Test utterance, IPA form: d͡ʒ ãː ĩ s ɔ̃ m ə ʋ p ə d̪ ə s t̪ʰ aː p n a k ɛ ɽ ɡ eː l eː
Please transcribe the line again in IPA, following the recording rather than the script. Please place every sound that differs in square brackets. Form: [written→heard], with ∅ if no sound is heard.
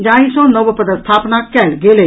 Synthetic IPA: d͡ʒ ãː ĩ s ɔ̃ [m→n] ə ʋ p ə d̪ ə s t̪ʰ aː p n a k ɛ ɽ ɡ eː l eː